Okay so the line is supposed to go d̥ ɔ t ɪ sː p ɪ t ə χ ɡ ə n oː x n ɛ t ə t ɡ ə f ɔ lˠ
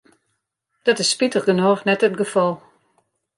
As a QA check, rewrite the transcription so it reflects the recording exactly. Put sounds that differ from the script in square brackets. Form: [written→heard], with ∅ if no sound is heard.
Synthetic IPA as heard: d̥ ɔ t ɪ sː p [ɪ→i] t ə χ ɡ ə n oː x n ɛ t ə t ɡ ə f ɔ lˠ

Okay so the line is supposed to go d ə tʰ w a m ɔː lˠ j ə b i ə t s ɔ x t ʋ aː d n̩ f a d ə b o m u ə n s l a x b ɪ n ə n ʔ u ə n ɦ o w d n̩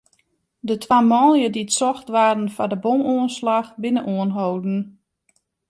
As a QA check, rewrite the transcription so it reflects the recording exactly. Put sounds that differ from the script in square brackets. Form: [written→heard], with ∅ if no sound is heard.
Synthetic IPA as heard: d ə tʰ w a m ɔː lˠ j ə [b→d] i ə t s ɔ x t ʋ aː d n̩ f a d ə b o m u ə n s l a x b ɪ n ə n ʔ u ə n ɦ o w d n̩

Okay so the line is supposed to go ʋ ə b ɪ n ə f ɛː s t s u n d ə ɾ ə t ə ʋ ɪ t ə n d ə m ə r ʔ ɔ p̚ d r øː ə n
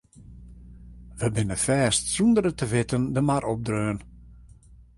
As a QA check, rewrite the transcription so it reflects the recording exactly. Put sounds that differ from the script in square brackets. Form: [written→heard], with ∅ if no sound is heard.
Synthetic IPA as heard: ʋ ə b ɪ n ə f ɛː s t s u n d ə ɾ ə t ə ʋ ɪ t ə n d ə m [ə→a] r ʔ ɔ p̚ d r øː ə n

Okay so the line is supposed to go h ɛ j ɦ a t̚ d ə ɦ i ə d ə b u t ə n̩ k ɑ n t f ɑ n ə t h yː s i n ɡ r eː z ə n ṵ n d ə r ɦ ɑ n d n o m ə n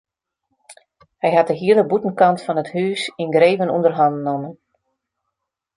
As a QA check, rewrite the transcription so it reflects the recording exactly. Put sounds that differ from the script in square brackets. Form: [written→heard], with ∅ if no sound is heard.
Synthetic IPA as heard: h ɛ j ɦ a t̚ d ə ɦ i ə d ə b u t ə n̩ k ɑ n t f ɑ n ə t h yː s i n ɡ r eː [z→v] ə n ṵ n d ə r ɦ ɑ n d n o m ə n

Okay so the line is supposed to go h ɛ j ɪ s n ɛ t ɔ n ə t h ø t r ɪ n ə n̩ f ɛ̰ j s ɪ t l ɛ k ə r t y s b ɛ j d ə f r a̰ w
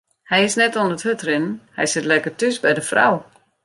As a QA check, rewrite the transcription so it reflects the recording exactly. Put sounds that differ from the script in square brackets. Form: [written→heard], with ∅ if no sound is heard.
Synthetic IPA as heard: h ɛ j ɪ s n ɛ t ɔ n ə t h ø t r ɪ n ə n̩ [f→h] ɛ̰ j s ɪ t l ɛ k ə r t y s b ɛ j d ə f r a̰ w

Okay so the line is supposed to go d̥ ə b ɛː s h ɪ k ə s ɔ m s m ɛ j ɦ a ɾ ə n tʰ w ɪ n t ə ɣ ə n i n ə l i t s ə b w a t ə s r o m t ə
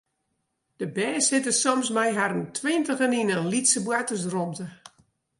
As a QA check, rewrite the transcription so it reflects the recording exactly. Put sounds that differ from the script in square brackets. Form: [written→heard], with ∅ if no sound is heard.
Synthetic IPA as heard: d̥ ə b ɛː s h ɪ [k→t] ə s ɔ m s m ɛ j ɦ a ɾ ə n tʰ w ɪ n t ə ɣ ə n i n ə l i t s ə b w a t ə s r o m t ə

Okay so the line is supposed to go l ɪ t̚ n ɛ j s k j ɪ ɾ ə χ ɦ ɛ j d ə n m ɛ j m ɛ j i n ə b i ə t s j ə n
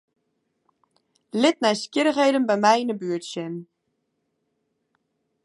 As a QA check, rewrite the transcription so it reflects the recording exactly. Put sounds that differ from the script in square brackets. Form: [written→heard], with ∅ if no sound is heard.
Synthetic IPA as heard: l ɪ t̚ n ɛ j s k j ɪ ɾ ə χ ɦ [ɛ→e] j d ə n [m→b] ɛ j m ɛ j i n ə b [i→y] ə t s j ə n

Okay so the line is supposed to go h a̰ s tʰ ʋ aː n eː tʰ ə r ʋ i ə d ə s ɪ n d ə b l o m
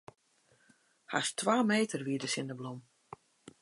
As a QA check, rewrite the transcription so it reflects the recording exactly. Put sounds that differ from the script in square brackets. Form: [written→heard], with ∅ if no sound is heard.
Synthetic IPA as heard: h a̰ s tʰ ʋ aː [n→m] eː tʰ ə r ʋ i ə d ə s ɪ n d ə b l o m

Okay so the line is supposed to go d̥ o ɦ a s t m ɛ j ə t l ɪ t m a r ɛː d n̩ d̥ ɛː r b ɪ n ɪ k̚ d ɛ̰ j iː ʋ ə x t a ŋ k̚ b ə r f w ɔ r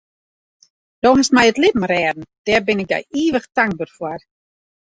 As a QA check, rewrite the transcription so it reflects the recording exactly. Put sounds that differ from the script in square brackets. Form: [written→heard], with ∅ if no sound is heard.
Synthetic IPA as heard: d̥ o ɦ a s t m ɛ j ə t l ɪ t m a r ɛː d n̩ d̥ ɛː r b ɪ n ɪ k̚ d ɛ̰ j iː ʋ ə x t a ŋ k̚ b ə r f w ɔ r

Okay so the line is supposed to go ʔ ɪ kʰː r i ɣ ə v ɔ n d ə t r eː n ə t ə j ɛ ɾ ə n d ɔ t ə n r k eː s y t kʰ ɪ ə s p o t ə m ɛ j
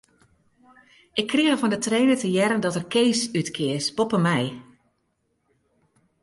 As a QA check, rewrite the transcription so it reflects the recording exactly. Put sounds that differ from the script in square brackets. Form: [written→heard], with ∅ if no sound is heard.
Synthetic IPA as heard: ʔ ɪ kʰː r i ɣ ə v ɔ n d ə t r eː n ə t ə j ɛ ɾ ə n d ɔ t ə [n→∅] r k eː s y t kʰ ɪ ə s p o [t→p] ə m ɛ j

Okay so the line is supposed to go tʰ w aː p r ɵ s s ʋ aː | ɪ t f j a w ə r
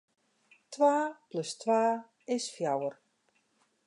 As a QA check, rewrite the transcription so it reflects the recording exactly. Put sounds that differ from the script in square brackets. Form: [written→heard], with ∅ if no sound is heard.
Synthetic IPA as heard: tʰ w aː p [r→l] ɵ s [s→t] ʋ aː | ɪ [t→s] f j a w ə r

